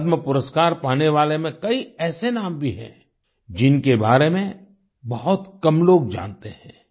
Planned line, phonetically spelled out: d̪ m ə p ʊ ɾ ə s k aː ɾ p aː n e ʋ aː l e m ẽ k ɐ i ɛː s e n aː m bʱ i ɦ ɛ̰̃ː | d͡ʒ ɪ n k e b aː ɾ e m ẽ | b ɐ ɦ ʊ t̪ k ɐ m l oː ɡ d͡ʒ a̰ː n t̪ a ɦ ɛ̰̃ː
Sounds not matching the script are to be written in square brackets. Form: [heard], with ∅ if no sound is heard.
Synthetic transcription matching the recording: d̪ m ə p ʊ ɾ ə s k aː ɾ p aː n e ʋ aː l e m ẽ k ɐ i ɛː s e n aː m bʱ i ɦ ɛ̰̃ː | d͡ʒ ɪ n k e b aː ɾ e m ẽ | b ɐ ɦ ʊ t̪ k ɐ m l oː ɡ d͡ʒ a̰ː n t̪ [e] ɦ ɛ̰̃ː